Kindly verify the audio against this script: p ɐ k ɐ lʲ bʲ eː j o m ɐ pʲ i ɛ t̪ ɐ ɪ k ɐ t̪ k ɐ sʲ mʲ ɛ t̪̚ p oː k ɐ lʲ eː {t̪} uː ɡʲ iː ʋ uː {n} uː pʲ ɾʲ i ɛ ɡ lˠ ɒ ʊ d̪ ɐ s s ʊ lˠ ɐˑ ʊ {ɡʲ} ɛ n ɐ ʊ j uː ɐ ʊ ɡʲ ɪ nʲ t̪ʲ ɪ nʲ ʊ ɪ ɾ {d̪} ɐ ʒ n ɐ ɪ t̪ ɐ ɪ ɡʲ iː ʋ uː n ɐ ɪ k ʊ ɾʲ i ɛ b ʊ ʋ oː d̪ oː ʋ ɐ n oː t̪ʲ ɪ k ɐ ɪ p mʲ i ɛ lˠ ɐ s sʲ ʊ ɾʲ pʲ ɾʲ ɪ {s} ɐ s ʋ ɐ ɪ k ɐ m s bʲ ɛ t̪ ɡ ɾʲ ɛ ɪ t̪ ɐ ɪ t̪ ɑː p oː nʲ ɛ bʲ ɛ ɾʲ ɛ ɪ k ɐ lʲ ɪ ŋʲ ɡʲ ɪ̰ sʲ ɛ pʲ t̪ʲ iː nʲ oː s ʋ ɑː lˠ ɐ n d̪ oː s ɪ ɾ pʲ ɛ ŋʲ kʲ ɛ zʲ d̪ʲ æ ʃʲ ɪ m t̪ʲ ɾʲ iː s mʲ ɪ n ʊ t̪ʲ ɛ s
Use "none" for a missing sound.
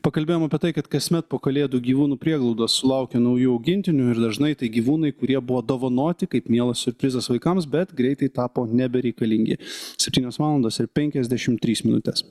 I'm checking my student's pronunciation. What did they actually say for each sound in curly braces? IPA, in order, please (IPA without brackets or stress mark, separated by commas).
d̪, n, kʲ, d̪, z